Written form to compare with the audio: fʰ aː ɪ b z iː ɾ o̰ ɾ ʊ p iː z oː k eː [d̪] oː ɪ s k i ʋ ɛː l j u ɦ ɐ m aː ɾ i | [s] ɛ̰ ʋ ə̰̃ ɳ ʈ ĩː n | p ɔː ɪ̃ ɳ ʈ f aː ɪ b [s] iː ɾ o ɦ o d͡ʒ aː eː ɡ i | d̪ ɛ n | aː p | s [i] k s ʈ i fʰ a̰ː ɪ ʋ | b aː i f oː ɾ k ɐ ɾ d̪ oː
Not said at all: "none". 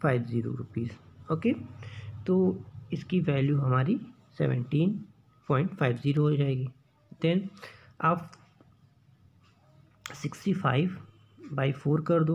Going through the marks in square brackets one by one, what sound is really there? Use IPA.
t̪, s, z, ɪ

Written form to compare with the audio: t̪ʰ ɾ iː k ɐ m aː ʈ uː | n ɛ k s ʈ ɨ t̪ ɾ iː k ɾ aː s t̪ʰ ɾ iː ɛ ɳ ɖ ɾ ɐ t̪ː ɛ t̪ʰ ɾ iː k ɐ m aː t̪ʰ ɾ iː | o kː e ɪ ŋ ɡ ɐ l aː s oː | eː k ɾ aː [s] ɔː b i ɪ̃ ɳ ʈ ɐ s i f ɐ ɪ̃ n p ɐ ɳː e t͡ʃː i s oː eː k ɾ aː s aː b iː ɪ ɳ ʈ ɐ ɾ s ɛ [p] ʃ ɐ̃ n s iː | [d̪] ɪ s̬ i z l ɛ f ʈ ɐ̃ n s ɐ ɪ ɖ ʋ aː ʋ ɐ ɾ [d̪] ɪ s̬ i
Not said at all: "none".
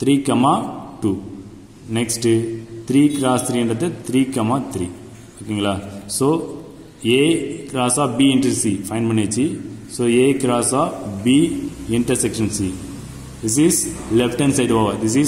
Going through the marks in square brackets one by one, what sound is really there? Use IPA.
s, k, d̪, d̪

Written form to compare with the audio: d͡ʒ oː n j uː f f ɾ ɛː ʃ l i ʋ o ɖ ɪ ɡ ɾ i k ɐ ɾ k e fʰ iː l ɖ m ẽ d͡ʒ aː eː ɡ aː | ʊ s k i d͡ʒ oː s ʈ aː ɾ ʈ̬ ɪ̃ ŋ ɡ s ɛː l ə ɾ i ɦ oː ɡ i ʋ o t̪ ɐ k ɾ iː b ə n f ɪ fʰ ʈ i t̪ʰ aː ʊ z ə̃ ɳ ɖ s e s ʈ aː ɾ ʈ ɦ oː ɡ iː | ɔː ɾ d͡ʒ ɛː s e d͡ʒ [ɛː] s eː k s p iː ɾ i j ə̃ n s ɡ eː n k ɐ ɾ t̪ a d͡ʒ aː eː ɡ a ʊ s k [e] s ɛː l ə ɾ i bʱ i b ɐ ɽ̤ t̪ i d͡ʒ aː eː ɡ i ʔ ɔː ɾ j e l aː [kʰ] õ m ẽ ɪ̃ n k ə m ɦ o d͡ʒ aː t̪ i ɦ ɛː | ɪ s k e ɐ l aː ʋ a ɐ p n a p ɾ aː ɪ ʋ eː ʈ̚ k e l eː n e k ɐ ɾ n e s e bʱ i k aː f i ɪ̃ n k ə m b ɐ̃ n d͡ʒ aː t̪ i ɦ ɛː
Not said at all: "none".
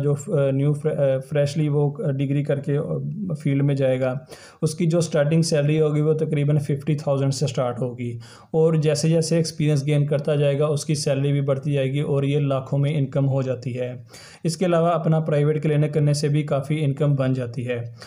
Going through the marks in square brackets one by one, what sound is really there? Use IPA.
ɛː, i, kʰ

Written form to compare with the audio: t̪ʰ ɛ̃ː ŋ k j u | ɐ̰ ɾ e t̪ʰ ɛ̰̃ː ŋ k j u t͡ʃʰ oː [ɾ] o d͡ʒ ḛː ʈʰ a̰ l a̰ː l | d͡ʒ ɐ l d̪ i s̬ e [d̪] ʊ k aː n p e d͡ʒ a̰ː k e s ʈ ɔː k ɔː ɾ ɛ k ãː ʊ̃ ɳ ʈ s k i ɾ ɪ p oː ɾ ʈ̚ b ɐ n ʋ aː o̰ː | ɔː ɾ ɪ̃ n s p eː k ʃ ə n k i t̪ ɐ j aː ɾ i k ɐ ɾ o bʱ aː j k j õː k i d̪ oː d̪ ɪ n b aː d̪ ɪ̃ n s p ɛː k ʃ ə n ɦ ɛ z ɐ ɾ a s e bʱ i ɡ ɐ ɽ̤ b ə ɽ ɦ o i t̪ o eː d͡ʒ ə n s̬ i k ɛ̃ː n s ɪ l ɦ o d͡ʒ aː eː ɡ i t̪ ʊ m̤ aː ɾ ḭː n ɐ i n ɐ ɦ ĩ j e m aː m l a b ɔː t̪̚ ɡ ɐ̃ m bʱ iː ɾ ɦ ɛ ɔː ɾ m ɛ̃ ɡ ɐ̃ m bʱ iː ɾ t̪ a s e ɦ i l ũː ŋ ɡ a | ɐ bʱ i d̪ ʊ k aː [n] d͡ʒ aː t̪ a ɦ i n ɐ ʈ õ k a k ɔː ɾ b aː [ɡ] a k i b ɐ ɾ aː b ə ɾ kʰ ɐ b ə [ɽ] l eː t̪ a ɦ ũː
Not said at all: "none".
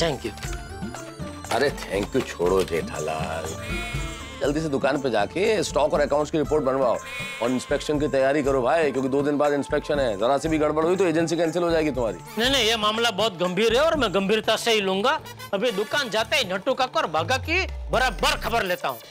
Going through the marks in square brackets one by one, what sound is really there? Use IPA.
ɽ, d̪, n, ɡ, ɾ

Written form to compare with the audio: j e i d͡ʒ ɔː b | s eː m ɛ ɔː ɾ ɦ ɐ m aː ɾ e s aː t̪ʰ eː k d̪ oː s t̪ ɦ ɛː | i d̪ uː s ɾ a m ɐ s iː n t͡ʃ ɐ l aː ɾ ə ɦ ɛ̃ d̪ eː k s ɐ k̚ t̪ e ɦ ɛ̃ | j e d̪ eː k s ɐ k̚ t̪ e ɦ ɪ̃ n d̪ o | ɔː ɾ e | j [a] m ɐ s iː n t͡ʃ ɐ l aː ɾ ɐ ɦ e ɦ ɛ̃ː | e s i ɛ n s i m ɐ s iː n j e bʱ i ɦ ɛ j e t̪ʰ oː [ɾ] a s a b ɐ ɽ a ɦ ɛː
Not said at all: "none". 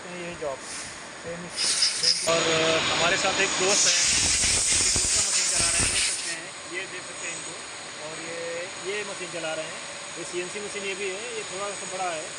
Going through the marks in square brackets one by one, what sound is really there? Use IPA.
e, ɽ

